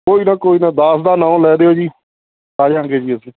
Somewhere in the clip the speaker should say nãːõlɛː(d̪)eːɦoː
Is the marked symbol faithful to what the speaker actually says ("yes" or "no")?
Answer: yes